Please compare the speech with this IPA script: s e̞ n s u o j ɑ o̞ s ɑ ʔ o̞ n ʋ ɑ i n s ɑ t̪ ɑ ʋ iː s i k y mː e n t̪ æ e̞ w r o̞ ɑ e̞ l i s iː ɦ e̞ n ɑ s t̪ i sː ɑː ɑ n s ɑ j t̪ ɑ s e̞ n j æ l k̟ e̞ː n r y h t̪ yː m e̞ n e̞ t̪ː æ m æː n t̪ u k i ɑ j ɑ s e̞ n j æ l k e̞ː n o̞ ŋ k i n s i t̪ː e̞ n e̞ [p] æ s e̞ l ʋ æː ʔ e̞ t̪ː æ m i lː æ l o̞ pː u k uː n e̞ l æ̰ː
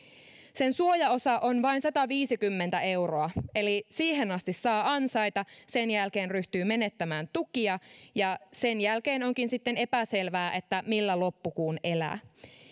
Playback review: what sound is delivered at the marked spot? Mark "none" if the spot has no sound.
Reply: p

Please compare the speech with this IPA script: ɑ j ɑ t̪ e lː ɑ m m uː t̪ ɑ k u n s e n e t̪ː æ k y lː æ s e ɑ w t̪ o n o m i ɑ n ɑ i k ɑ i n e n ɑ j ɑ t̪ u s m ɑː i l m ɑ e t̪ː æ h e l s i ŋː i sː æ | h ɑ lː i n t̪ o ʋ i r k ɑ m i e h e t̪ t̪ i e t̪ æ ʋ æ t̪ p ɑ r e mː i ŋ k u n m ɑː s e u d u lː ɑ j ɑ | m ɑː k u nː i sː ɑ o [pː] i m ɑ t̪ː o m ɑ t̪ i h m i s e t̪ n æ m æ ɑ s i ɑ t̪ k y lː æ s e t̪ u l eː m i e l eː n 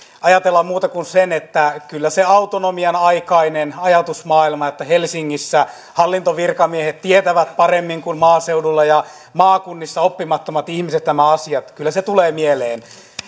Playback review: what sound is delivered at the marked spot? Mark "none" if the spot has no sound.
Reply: pː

